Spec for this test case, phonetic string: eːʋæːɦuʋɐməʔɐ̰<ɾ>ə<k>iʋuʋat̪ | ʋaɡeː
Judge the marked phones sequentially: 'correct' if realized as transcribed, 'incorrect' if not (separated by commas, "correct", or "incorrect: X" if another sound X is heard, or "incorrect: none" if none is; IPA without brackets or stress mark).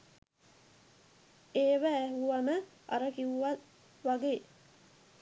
correct, correct